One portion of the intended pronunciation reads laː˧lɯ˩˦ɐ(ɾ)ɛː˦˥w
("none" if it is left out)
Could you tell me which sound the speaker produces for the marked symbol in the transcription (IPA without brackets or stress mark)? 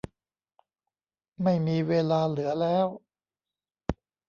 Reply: l